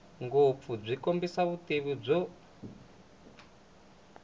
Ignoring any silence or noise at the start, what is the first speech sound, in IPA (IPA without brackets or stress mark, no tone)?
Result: ŋ